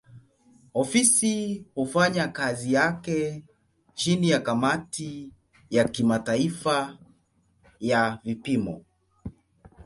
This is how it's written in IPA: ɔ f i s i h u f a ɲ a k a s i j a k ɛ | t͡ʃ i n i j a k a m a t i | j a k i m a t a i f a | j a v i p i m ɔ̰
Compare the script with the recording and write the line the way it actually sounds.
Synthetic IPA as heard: ɔ f i s i h u f a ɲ a k a z i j a k ɛ | t͡ʃ i n i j a k a m a t i | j a k i m a t a i f a | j a v i p i m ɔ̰